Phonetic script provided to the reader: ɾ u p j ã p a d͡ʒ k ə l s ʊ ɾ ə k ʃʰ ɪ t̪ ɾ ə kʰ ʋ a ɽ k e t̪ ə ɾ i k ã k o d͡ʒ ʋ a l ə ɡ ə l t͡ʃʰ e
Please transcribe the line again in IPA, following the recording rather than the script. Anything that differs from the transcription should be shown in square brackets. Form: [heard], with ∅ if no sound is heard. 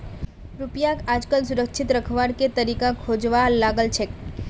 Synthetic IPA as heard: ɾ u p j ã [k] a d͡ʒ k ə l s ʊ ɾ ə k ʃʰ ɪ t̪ ɾ ə kʰ ʋ a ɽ k e t̪ ə ɾ i k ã [kʰ] o d͡ʒ ʋ a l [a] ɡ ə l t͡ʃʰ e